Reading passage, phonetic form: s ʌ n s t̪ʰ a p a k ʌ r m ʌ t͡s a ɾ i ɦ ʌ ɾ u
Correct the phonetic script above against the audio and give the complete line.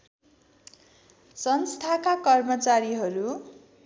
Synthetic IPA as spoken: s ʌ n s t̪ʰ a k a k ʌ r m ʌ t͡s a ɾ i ɦ ʌ ɾ u